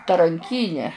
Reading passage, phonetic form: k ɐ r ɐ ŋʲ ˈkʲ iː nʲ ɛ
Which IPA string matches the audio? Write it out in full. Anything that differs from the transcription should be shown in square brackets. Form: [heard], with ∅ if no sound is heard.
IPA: [t] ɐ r ɐ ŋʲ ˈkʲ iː nʲ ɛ

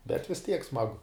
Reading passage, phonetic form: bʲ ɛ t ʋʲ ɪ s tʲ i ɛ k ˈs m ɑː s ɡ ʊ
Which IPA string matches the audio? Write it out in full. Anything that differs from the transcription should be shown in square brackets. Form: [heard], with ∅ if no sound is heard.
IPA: bʲ ɛ t ʋʲ ɪ s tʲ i ɛ k ˈs m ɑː [∅] ɡ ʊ

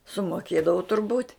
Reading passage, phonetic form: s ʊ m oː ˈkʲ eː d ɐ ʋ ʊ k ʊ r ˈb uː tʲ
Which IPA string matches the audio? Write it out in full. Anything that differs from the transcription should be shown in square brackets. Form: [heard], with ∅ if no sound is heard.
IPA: s ʊ m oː ˈkʲ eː d ɐ ʋ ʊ [t] ʊ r ˈb uː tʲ

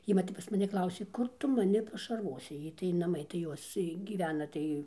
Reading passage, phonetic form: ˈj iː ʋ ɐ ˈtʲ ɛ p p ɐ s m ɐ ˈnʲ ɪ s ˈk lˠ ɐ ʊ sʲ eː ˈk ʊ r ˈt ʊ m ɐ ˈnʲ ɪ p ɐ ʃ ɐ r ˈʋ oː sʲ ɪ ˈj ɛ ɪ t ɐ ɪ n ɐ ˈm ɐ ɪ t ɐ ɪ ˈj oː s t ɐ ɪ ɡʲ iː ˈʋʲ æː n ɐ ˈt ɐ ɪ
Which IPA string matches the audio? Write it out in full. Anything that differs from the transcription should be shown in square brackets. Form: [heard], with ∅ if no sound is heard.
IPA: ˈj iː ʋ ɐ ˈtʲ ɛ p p ɐ s m ɐ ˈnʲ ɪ [∅] ˈk lˠ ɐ ʊ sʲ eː ˈk ʊ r ˈt ʊ m ɐ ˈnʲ ɪ p ɐ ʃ ɐ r ˈʋ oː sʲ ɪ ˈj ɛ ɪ t ɐ ɪ n ɐ ˈm ɐ ɪ t ɐ ɪ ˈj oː s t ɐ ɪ ɡʲ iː ˈʋʲ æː n ɐ ˈt ɐ ɪ

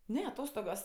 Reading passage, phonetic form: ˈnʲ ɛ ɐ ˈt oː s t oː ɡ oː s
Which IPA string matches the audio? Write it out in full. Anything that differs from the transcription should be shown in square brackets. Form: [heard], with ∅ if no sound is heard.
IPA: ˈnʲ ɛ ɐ ˈt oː s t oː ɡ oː s

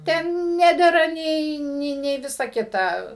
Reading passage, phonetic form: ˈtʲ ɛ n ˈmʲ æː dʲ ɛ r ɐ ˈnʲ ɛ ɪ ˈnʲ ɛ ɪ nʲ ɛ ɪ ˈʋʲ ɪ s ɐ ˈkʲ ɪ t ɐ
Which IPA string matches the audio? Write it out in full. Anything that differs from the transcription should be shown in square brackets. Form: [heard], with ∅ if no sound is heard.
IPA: ˈtʲ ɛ n [ˈnʲ] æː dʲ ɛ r ɐ ˈnʲ ɛ ɪ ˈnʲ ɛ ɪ nʲ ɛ ɪ ˈʋʲ ɪ s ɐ ˈkʲ ɪ t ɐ

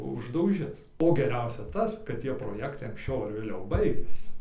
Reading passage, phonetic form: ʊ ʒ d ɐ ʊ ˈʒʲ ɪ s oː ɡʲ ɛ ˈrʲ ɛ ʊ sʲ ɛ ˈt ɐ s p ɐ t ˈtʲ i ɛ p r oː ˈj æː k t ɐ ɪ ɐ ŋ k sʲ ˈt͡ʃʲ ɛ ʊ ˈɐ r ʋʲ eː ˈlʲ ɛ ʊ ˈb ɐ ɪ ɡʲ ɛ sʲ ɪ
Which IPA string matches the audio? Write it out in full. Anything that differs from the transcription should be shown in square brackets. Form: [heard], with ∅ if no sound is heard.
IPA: ʊ ʒ d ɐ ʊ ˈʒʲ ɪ s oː ɡʲ ɛ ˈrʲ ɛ ʊ sʲ ɛ ˈt ɐ s [k] ɐ t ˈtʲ i ɛ p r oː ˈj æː k t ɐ ɪ ɐ ŋ k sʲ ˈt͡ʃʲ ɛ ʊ ˈɐ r ʋʲ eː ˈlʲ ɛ ʊ ˈb ɐ ɪ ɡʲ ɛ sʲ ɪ

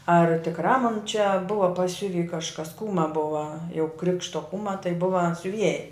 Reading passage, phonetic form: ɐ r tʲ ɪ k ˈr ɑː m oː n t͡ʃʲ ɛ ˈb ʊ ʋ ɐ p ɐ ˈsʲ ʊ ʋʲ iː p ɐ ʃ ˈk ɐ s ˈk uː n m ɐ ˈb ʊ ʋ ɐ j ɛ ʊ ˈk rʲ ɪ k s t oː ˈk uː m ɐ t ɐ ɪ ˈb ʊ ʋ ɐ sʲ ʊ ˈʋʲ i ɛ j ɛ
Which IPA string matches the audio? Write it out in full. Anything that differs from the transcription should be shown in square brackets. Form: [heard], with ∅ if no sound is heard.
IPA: ɐ r tʲ ɪ k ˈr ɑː m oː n t͡ʃʲ ɛ ˈb ʊ ʋ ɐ p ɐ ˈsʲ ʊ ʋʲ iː [k] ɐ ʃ ˈk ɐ s ˈk uː [∅] m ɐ ˈb ʊ ʋ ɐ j ɛ ʊ ˈk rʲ ɪ k [ʃ] t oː ˈk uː m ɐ t ɐ ɪ ˈb ʊ ʋ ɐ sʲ ʊ ˈʋʲ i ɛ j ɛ

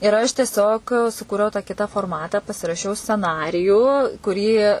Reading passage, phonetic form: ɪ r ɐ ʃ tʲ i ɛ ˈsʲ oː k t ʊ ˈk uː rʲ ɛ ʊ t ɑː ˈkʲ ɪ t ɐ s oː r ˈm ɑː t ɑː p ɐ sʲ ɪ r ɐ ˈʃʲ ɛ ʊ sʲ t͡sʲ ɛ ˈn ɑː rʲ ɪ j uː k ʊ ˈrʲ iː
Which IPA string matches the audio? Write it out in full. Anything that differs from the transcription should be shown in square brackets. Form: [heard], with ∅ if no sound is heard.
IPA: ɪ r ɐ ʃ tʲ i ɛ ˈsʲ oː k [s] ʊ ˈk uː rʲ ɛ ʊ t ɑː ˈkʲ ɪ t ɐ [f] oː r ˈm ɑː t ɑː p ɐ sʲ ɪ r ɐ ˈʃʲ ɛ ʊ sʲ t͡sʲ ɛ ˈn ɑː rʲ ɪ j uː k ʊ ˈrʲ iː

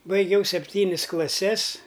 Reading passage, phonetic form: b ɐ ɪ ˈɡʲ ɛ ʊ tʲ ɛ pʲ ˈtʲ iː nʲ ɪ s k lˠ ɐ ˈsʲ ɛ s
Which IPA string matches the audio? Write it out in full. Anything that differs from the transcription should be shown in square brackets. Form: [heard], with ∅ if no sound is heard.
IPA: b ɐ ɪ ˈɡʲ ɛ ʊ [sʲ] ɛ pʲ ˈtʲ iː nʲ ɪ s k lˠ ɐ ˈsʲ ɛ s

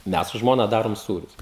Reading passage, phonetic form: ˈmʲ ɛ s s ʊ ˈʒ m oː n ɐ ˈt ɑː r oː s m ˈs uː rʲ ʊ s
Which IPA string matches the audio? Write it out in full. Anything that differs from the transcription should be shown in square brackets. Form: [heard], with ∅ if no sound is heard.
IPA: ˈmʲ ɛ s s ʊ ˈʒ m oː n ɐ [ˈd] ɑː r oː [∅] m ˈs uː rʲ ʊ s

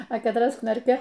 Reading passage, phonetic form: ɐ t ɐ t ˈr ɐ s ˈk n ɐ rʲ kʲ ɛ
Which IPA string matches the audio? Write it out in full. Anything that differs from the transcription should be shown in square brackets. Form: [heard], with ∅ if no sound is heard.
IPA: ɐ [k] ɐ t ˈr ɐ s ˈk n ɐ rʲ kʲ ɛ

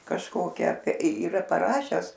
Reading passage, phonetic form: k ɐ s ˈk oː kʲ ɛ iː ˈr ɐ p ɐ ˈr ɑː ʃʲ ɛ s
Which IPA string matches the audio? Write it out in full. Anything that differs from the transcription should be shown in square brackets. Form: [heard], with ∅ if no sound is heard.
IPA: k ɐ [ʃ] ˈk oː kʲ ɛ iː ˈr ɐ p ɐ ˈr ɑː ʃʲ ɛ s

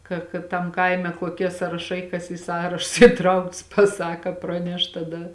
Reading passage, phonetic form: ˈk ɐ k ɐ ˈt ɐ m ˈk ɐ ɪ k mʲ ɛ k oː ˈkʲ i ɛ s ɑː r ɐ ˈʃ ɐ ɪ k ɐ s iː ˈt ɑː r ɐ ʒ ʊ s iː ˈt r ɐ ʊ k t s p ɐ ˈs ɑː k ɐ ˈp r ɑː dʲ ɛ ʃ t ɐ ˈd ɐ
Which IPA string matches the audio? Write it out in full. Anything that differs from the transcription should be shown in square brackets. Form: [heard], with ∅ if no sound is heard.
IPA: ˈk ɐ k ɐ ˈt ɐ m ˈk ɐ ɪ [∅] mʲ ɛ k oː ˈkʲ i ɛ s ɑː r ɐ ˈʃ ɐ ɪ k ɐ s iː [ˈs] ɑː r ɐ [ʃ] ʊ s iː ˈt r ɐ ʊ k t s p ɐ ˈs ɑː k ɐ ˈp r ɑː [nʲ] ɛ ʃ t ɐ ˈd ɐ

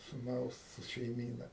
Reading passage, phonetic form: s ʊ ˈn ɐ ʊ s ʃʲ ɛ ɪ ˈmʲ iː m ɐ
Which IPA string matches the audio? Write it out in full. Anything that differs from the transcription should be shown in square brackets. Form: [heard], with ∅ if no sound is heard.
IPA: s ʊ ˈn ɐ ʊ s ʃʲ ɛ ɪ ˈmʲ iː [n] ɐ

